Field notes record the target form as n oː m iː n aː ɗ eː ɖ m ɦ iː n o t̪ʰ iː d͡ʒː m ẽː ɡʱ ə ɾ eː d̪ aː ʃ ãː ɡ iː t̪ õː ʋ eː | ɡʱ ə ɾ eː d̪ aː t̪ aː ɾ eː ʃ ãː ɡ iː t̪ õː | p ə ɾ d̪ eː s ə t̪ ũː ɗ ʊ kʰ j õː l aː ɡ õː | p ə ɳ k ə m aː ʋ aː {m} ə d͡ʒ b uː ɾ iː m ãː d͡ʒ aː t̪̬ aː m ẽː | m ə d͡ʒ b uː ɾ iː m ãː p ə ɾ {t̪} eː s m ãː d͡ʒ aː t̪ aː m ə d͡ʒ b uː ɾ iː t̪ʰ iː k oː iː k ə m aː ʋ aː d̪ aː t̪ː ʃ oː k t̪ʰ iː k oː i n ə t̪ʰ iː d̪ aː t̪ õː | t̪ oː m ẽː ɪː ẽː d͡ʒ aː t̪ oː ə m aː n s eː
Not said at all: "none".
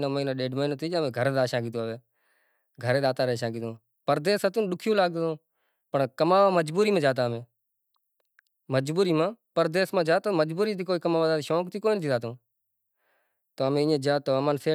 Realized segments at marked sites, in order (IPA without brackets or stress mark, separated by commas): m, d̪